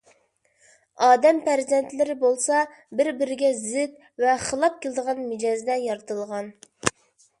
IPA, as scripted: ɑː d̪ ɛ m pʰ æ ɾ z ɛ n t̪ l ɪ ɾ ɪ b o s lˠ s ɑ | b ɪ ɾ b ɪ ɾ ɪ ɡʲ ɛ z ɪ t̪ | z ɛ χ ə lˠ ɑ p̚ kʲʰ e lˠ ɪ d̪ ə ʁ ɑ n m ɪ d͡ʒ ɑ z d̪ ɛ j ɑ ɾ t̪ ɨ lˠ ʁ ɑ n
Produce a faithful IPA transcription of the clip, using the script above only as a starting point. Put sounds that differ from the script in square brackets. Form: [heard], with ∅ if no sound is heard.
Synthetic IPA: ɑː d̪ ɛ m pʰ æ ɾ z ɛ n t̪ l ɪ ɾ ɪ b o [∅] lˠ s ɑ | b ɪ ɾ b ɪ ɾ ɪ ɡʲ ɛ z ɪ t̪ | [v] ɛ χ ə lˠ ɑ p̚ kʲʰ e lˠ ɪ d̪ ə ʁ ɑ n m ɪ d͡ʒ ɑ z d̪ ɛ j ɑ ɾ t̪ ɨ lˠ ʁ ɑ n